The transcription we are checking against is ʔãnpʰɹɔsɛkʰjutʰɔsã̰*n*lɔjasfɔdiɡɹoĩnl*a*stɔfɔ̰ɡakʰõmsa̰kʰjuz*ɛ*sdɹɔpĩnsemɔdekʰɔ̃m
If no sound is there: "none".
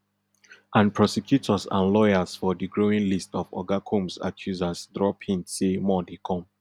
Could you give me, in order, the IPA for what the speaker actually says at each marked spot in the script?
n, i, a

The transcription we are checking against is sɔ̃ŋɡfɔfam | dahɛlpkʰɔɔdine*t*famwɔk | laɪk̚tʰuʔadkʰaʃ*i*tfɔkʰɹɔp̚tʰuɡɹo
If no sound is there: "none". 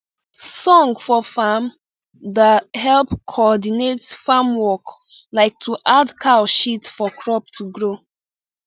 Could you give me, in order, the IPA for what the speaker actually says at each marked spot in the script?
t, i

